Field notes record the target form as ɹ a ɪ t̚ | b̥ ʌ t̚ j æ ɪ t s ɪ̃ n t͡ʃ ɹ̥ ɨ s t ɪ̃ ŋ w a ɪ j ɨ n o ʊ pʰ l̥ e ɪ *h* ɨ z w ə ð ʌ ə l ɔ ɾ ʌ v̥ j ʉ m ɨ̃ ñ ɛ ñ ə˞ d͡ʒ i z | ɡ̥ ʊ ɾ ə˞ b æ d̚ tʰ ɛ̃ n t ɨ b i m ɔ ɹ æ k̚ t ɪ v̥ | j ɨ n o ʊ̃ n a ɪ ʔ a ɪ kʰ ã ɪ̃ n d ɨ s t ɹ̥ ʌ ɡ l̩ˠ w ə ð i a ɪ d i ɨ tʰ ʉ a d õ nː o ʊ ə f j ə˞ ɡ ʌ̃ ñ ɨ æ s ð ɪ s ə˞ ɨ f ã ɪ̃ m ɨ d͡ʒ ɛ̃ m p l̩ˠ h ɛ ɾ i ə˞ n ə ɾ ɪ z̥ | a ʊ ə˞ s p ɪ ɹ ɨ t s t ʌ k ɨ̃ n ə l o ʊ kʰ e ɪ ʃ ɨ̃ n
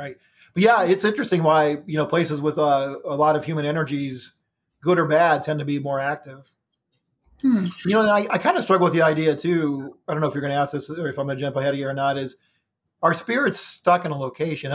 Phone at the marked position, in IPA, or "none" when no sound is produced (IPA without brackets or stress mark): s